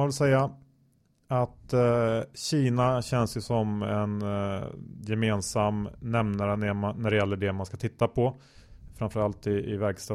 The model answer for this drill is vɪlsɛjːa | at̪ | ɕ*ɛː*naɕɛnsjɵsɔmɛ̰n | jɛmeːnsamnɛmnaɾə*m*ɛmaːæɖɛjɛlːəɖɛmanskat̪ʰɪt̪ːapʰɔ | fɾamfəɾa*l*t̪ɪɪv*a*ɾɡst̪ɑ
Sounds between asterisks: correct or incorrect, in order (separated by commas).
incorrect, incorrect, correct, incorrect